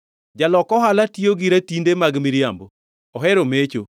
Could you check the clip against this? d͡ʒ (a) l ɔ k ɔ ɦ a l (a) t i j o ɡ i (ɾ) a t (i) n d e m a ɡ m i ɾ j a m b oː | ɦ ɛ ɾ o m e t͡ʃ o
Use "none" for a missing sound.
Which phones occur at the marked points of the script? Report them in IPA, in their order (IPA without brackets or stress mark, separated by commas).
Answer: a, a, ɾ, i